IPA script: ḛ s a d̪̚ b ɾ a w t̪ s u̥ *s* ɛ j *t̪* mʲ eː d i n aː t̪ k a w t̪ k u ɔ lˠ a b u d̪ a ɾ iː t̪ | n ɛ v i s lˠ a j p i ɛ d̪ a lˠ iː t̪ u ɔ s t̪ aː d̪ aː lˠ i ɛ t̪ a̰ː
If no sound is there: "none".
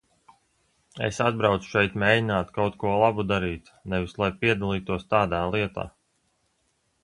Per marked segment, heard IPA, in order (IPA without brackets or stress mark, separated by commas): ʃ, t̪